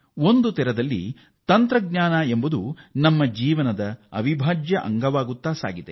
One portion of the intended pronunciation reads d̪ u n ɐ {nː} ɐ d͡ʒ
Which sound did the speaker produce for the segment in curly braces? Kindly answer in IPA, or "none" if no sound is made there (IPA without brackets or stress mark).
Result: mː